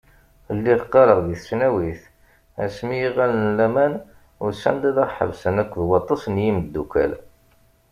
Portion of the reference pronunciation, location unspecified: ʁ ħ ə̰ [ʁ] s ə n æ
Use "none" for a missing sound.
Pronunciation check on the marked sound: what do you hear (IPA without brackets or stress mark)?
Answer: v